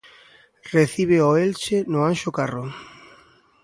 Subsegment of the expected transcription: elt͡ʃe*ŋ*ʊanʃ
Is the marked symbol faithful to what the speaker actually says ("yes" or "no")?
no